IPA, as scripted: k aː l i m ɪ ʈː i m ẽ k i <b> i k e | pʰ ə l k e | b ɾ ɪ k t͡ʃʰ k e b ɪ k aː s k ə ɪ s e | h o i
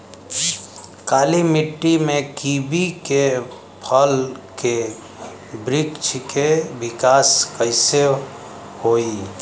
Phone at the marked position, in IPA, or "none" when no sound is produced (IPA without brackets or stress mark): b